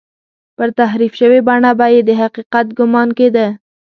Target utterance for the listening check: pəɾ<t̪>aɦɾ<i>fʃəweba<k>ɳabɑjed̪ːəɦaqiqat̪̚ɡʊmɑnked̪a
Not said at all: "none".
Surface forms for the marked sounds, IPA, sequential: t̪, i, none

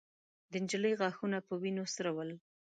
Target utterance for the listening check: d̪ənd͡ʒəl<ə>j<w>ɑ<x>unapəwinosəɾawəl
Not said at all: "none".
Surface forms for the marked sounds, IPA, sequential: ə, ɣ, x

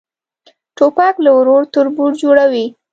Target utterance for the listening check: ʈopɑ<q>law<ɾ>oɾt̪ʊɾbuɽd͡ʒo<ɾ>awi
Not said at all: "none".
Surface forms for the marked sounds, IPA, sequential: k, ɾ, ɽ

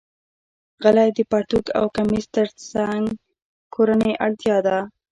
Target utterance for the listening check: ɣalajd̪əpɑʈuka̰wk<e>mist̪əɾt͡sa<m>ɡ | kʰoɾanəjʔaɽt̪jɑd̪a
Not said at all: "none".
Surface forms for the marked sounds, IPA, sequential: a, ŋ

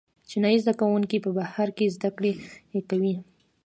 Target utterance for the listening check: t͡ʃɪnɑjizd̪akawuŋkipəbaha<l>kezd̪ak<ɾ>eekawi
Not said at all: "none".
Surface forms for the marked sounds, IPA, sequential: ɾ, ɽ

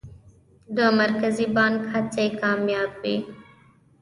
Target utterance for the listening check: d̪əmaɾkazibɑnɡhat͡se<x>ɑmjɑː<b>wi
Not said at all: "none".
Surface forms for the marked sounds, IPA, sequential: k, b

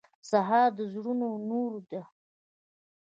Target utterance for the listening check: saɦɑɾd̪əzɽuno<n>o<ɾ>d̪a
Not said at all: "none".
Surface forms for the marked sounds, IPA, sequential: n, ɾ

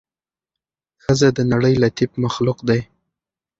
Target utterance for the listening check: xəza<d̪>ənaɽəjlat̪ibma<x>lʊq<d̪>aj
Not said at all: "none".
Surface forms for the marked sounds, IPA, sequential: d̪, x, d̪

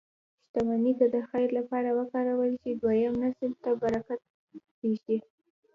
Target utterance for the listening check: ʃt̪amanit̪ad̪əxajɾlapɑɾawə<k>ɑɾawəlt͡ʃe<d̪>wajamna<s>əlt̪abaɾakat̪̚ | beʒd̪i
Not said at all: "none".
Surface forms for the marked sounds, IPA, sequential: k, d̪, s

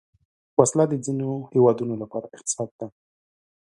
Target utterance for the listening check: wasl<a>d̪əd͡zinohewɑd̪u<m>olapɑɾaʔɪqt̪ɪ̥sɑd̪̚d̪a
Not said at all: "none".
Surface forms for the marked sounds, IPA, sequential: a, n

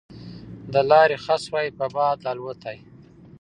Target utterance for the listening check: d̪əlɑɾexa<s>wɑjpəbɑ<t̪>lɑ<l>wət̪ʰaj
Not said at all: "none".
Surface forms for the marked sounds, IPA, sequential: s, d̪, l

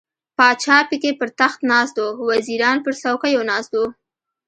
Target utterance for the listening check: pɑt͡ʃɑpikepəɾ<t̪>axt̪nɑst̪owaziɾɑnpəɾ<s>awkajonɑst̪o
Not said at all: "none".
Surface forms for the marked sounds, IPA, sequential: t̪, s

